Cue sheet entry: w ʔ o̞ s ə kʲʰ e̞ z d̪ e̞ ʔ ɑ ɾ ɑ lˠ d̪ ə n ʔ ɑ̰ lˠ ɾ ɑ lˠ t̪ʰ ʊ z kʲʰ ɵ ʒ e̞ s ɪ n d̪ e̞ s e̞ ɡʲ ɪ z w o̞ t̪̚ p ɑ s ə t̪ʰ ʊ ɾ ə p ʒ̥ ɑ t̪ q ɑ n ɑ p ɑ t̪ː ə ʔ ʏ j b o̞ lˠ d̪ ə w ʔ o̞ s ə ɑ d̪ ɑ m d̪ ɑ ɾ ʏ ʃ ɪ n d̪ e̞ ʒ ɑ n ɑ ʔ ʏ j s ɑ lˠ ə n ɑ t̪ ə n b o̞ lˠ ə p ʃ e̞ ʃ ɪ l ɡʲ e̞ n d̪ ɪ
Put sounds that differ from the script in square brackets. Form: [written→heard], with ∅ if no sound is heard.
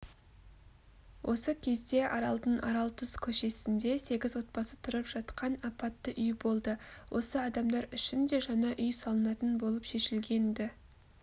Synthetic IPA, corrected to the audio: w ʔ o̞ s ə kʲʰ e̞ z d̪ e̞ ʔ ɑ ɾ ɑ lˠ d̪ ə n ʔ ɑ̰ [lˠ→∅] ɾ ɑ lˠ t̪ʰ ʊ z kʲʰ ɵ [ʒ→ʃ] e̞ s ɪ n d̪ e̞ s e̞ ɡʲ ɪ z w o̞ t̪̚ p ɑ s ə t̪ʰ ʊ ɾ ə p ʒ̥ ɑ t̪ q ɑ n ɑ p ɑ t̪ː ə ʔ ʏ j b o̞ lˠ d̪ ə w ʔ o̞ s ə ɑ d̪ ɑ m d̪ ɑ ɾ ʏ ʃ ɪ n d̪ e̞ ʒ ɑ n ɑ ʔ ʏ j s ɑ lˠ ə n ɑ t̪ ə n b o̞ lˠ ə p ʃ e̞ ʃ ɪ l ɡʲ e̞ n d̪ ɪ